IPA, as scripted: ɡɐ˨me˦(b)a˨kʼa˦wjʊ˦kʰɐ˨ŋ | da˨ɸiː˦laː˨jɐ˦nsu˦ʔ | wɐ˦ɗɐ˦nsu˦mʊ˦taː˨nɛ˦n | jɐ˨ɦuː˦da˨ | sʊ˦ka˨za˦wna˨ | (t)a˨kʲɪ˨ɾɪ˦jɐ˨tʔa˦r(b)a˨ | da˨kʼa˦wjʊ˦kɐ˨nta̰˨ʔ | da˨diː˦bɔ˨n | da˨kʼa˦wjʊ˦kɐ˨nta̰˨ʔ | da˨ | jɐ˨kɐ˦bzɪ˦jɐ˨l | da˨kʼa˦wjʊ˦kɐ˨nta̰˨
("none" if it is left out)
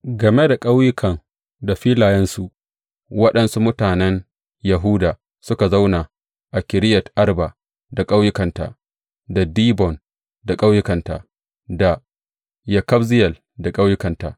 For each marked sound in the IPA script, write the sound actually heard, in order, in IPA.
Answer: d, ʔ, b

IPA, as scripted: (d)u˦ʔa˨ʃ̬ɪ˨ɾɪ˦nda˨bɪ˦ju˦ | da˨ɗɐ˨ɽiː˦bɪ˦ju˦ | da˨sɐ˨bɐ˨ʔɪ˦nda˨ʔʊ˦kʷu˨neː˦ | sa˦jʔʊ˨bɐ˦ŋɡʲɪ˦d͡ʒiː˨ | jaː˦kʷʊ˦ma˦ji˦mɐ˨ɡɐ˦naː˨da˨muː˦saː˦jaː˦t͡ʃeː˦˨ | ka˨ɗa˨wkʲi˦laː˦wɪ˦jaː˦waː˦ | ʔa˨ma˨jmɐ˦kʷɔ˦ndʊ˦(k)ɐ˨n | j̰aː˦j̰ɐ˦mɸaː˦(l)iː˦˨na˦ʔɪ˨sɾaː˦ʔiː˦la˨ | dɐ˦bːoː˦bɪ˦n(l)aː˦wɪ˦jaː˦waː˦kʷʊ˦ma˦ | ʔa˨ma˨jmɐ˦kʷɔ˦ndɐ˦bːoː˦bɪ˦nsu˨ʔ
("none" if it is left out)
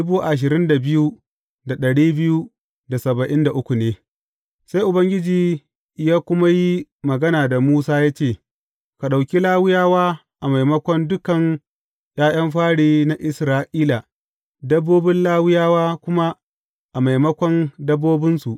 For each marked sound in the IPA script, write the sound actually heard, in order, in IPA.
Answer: b, k, ɽ, l

